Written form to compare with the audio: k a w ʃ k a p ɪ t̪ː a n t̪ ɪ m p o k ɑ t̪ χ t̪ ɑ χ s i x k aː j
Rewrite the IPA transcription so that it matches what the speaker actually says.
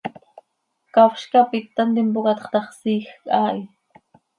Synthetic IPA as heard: k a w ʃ k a p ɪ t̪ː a n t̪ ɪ m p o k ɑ t̪ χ t̪ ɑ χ s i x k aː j